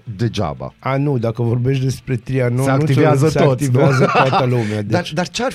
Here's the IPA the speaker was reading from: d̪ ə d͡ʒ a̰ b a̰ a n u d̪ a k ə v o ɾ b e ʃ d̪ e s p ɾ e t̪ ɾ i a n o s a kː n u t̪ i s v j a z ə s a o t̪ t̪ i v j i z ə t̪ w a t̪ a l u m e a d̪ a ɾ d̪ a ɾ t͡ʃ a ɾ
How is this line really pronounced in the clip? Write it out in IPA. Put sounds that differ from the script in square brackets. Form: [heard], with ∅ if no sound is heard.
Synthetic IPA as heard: d̪ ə d͡ʒ a̰ b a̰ a n u d̪ a k ə v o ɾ b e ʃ d̪ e s p ɾ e t̪ ɾ i a n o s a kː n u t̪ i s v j a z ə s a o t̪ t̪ i v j [a] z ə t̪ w a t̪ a l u m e a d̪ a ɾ d̪ a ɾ t͡ʃ a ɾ